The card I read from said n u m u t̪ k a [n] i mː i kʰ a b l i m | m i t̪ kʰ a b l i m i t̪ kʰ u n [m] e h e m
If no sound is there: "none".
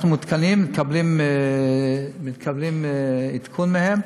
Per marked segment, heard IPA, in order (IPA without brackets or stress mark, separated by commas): n, m